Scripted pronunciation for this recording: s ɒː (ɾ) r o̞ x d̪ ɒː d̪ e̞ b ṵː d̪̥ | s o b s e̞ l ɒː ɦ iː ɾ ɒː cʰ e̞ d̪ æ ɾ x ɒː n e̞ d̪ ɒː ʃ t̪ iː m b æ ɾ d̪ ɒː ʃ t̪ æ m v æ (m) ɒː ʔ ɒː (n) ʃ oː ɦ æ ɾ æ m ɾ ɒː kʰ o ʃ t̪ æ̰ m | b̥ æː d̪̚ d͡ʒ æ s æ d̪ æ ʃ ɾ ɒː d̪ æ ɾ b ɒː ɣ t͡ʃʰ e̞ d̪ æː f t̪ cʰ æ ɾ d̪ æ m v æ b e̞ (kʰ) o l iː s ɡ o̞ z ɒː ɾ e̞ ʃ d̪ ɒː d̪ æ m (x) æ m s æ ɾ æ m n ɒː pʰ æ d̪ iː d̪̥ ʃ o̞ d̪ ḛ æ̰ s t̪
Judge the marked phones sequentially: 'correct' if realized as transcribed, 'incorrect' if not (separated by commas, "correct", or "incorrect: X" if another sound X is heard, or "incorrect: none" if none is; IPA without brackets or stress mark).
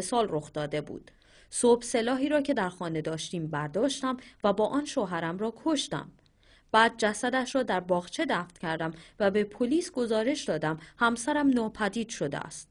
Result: incorrect: l, incorrect: b, correct, incorrect: pʰ, incorrect: h